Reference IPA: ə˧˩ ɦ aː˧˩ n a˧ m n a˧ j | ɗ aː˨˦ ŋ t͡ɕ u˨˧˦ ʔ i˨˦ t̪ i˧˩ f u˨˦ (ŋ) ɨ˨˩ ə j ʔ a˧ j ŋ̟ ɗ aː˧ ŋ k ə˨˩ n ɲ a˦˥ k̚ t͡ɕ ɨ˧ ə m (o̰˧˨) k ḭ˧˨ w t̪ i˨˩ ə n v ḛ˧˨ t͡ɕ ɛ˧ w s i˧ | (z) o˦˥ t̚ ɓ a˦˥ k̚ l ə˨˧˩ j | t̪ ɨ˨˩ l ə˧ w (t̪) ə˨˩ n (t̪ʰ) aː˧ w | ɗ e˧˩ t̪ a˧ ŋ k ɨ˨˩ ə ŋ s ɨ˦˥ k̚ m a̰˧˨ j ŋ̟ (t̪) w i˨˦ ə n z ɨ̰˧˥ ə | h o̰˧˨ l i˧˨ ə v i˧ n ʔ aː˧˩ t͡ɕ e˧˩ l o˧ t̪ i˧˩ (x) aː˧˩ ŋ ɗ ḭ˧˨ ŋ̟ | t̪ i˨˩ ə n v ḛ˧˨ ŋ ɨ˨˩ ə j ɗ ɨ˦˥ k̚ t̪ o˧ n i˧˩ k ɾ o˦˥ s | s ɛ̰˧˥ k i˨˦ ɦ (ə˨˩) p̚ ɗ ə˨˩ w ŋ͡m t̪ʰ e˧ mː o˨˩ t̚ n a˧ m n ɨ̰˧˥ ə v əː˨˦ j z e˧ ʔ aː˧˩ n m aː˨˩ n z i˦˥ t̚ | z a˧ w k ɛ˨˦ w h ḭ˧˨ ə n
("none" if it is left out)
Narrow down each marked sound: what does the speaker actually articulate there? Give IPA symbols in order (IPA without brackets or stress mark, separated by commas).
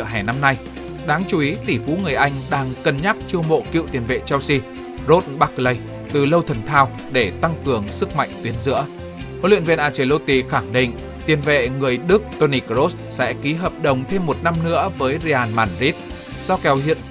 ŋ, o̰˧˨, z, t̪ʰ, t̪ʰ, t̪, x, əː˨˩